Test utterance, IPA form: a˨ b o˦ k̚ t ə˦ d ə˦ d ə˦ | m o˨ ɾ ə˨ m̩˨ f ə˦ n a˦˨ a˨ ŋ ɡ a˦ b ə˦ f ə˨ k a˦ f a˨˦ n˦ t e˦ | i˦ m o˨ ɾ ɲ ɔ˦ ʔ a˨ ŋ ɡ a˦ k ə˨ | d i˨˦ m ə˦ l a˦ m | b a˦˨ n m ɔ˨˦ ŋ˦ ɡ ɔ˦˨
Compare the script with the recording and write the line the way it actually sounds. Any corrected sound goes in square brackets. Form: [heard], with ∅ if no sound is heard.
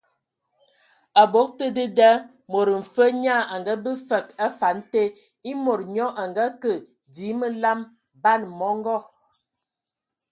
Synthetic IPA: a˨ b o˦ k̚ t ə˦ d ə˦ d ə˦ | m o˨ ɾ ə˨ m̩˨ f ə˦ [ɲ] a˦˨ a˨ ŋ ɡ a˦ b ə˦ f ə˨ k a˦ f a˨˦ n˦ t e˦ | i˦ m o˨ ɾ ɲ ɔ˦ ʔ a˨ ŋ ɡ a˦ k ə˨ | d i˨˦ m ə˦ l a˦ m | b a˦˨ n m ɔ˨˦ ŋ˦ ɡ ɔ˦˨